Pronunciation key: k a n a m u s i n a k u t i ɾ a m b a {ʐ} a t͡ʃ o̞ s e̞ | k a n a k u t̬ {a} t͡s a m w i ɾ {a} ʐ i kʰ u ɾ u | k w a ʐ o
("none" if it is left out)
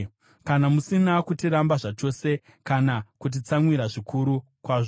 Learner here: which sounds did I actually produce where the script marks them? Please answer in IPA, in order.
ʐ, i, a

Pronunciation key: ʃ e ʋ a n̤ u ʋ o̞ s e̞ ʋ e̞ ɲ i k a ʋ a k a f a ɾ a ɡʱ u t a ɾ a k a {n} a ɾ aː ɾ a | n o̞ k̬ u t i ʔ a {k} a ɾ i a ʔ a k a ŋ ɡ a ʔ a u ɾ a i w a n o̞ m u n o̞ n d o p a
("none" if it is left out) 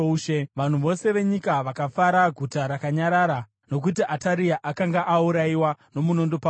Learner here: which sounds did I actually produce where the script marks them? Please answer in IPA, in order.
ɲ, t

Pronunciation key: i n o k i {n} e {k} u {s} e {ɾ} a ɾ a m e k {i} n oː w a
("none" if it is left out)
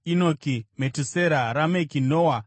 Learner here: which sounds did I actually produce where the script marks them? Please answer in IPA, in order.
m, t, s, ɾ, i

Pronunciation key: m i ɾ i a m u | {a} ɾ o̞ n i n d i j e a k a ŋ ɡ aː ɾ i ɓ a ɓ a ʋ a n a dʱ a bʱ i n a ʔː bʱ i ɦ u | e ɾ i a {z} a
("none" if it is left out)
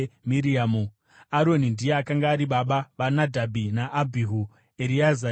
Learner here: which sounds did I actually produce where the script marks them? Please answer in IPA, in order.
a, z

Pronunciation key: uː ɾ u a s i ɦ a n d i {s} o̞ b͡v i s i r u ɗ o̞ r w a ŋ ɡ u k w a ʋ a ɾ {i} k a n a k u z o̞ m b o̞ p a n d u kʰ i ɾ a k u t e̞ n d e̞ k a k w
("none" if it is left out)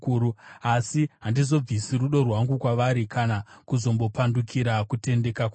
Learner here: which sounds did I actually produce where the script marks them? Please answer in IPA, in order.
z, i

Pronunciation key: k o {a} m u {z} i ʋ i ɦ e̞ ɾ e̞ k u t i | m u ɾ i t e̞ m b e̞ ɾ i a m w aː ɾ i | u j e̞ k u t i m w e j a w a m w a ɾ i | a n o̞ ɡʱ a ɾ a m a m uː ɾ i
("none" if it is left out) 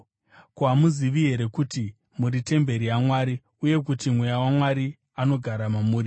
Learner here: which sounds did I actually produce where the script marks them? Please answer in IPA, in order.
a, z

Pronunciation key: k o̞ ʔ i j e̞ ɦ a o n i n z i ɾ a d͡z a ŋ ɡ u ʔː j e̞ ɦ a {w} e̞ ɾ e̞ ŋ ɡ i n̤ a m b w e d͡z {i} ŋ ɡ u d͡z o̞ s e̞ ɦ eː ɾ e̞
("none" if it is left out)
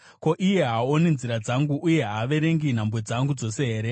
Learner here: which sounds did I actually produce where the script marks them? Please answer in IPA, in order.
ʋ, a

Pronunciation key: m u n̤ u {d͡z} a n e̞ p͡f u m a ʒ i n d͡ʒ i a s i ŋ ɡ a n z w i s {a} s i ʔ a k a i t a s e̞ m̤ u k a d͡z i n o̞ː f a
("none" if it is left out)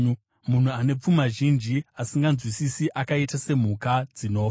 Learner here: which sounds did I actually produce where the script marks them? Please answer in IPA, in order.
none, i

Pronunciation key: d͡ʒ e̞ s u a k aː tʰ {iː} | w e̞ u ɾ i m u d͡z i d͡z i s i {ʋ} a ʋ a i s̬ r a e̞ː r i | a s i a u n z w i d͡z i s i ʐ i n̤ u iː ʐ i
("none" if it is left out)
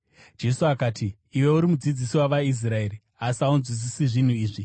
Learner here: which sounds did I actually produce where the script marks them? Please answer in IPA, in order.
iː, w

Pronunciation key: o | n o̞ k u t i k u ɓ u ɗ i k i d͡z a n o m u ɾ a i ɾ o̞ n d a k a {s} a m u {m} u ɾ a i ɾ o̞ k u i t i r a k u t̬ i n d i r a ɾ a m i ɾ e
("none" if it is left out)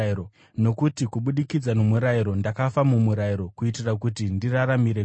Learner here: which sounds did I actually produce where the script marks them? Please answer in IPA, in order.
f, m

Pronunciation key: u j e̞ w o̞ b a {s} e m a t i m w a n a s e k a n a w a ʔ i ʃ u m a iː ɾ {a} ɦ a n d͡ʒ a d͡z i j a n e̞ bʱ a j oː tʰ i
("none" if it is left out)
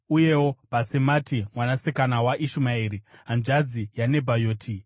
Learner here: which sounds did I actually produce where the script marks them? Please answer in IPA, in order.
s, i

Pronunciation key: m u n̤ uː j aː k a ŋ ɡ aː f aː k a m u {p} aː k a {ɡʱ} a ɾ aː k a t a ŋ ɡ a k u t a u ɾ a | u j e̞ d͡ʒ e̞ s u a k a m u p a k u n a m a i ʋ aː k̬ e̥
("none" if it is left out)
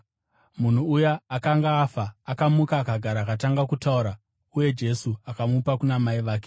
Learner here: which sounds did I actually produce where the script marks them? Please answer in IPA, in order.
k, ɡʱ

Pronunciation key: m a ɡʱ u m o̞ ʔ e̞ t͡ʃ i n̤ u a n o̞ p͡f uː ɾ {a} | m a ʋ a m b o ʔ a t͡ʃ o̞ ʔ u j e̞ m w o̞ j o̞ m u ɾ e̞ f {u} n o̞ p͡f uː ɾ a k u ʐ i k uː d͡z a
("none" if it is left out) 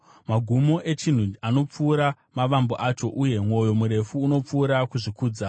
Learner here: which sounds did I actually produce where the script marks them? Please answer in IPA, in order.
a, uː

